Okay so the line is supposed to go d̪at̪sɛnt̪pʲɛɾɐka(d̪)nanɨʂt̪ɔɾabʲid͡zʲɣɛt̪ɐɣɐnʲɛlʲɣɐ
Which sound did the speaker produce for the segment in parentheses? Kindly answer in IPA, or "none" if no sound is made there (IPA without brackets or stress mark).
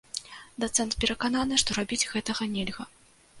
none